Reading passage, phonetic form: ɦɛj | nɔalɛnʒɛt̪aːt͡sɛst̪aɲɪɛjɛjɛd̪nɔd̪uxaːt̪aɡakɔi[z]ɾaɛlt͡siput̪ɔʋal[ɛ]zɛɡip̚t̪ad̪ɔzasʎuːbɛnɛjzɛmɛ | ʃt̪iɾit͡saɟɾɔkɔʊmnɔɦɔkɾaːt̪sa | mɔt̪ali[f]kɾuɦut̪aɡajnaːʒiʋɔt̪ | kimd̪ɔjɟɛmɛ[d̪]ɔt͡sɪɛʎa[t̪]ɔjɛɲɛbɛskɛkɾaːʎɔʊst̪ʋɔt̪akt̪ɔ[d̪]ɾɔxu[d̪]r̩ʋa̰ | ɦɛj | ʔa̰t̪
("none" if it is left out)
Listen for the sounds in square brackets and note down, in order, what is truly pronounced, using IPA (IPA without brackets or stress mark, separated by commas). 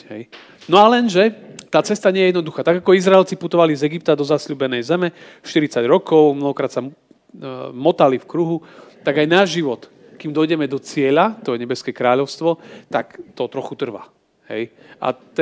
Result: z, i, f, d̪, t̪, t̪, t̪